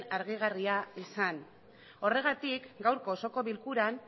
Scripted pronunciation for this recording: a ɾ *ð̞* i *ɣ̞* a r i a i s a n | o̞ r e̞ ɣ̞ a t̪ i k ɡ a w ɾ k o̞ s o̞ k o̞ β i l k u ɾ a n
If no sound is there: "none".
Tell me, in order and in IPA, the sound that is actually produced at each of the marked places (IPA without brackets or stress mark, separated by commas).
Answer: ɣ̞, ɣ̞